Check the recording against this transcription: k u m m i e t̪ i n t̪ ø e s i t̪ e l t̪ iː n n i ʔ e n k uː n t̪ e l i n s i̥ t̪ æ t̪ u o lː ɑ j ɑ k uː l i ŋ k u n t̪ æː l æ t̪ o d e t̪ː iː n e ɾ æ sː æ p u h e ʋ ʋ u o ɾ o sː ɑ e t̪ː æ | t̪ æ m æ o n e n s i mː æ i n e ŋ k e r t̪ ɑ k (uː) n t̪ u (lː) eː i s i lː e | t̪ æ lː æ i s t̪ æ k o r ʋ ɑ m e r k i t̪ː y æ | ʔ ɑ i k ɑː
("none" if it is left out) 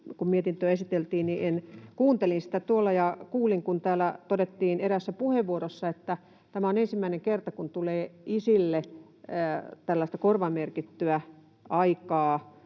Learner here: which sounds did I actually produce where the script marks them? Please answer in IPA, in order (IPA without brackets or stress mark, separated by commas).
u, l